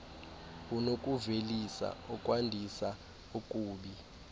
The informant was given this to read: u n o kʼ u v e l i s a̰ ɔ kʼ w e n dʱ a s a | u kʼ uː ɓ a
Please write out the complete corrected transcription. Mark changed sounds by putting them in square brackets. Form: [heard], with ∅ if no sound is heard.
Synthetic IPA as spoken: u n o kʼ u v e l i s a̰ ɔ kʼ w [a] n dʱ [i] s a | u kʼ uː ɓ [i]